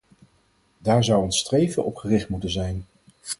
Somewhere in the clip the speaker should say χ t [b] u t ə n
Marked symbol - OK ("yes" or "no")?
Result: no